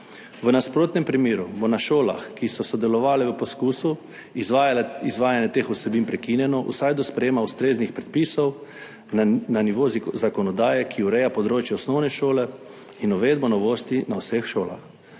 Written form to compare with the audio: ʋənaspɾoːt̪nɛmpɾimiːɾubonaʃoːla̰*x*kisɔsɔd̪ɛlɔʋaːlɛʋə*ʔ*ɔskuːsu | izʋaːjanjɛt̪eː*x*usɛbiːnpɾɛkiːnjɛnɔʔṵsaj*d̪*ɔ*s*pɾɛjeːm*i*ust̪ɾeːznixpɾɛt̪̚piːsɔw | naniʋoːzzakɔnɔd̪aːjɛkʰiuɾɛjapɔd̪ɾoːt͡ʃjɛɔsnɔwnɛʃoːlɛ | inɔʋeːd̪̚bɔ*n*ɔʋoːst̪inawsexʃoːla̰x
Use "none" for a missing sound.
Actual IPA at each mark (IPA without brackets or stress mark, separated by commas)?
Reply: x, p, x, d̪, s, a, n